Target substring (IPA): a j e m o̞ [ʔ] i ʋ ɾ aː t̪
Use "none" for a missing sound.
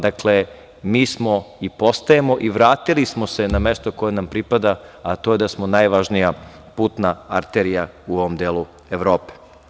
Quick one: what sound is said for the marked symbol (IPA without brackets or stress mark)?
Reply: ʔ